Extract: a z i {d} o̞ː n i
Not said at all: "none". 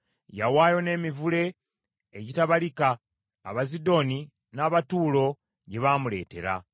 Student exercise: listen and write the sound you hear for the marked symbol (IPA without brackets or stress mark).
d